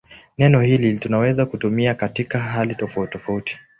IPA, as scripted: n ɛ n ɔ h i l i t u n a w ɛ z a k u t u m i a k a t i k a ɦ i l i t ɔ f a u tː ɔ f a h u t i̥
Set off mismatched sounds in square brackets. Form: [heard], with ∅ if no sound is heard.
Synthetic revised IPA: n ɛ n ɔ h i l i t u n a w ɛ z a k u t u m i a k a t i k a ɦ [a] l i t ɔ f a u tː ɔ f a [∅] u t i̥